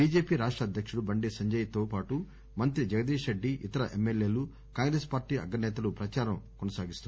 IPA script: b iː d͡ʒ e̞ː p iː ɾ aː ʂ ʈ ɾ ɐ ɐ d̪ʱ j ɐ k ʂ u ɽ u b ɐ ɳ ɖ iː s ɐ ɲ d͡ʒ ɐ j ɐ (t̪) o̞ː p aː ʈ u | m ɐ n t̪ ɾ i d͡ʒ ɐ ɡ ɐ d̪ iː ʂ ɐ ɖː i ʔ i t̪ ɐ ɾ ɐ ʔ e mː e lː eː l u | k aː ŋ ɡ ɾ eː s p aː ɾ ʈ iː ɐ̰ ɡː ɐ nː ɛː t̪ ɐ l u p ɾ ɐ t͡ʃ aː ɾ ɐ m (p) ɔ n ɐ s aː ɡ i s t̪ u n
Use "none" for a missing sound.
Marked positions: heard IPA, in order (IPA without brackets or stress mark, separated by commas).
t̪, k